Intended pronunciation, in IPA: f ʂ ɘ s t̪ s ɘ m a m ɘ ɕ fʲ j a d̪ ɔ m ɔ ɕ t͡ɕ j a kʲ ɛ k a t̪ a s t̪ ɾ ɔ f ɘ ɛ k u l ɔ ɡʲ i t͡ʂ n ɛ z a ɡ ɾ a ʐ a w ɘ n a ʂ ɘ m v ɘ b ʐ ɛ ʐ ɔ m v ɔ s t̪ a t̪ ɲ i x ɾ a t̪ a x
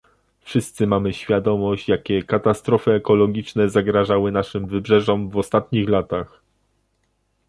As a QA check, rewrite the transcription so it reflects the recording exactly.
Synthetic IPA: f ʂ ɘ s t̪ s ɘ m a m ɘ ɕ fʲ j a d̪ ɔ m ɔ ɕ t͡ɕ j a kʲ ɛ k a t̪ a s t̪ ɾ ɔ f ɘ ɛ k ɔ l ɔ ɡʲ i t͡ʂ n ɛ z a ɡ ɾ a ʐ a w ɘ n a ʂ ɘ m v ɘ b ʐ ɛ ʐ ɔ m v ɔ s t̪ a t̪ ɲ i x l a t̪ a x